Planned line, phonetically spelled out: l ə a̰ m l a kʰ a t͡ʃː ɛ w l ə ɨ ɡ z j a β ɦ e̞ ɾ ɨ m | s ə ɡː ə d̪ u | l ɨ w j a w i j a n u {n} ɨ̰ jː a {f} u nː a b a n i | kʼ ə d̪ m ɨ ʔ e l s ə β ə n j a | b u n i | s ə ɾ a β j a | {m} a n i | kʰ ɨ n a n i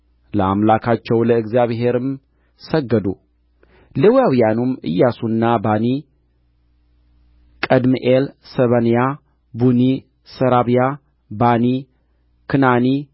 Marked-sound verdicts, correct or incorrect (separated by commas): incorrect, incorrect, incorrect